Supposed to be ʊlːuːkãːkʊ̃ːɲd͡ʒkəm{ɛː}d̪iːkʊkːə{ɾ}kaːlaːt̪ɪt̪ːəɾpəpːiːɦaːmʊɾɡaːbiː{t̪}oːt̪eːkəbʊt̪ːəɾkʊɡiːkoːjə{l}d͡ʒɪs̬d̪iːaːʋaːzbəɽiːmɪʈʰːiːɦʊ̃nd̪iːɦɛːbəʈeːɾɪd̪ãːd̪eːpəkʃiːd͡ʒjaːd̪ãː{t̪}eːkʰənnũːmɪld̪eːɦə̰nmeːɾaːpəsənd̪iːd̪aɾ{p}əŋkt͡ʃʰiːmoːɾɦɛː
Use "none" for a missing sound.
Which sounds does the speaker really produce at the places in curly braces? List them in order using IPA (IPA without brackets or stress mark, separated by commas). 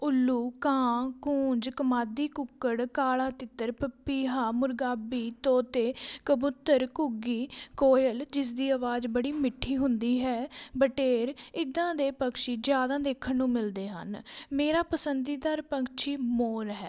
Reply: aː, ɽ, t̪, l, d̪, p